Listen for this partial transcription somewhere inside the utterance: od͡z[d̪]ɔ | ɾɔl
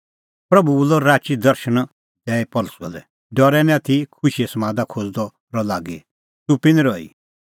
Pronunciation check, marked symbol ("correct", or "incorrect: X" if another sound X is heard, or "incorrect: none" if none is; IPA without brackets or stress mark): correct